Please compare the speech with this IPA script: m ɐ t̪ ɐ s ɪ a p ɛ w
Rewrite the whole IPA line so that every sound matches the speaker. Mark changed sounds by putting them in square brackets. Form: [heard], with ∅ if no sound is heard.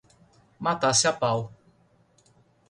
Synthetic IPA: m [a] t̪ [a] s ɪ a p [a] w